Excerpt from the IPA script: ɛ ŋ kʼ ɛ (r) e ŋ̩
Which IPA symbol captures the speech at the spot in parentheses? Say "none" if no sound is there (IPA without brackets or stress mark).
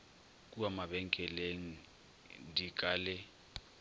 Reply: l